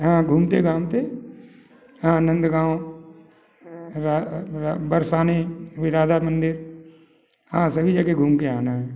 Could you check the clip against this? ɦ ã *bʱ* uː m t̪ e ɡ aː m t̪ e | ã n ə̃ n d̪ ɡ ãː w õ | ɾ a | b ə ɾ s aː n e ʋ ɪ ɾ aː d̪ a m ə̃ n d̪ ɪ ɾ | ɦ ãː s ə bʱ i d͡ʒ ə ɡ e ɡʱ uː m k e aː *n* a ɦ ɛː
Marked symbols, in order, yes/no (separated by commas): no, yes